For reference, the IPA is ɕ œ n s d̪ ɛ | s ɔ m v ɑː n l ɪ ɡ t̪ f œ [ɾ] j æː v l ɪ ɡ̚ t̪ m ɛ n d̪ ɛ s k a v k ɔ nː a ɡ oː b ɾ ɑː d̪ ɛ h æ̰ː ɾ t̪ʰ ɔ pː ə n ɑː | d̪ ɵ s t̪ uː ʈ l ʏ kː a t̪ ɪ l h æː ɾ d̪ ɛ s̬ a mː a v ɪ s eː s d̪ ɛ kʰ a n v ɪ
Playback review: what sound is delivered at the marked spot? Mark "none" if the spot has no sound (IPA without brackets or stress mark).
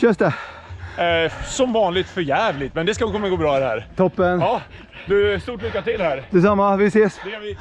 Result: ɾ